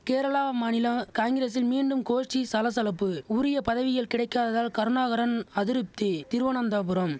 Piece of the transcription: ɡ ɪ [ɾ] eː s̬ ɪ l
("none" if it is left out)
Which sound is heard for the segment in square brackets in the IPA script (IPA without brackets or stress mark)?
ɾ